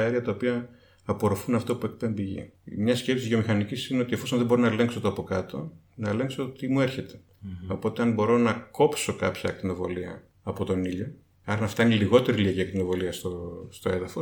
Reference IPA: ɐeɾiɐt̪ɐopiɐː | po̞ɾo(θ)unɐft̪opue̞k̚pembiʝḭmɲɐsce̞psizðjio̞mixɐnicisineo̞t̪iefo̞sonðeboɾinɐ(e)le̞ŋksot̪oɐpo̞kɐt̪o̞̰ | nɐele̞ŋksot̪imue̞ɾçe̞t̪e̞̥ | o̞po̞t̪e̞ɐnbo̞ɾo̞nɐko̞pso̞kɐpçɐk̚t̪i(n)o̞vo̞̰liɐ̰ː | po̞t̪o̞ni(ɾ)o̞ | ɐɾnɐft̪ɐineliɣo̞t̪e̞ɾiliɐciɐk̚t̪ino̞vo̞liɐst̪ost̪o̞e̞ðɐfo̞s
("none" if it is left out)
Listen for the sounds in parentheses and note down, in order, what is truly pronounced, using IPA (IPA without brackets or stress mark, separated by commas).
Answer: f, e, n, ʎ